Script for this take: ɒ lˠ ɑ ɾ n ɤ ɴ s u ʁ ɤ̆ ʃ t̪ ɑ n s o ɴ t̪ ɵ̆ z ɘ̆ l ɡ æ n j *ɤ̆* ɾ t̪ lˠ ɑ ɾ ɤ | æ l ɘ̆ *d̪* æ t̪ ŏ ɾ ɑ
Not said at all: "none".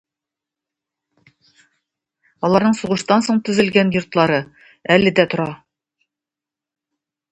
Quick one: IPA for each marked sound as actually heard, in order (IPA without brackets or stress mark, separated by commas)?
ŏ, d̪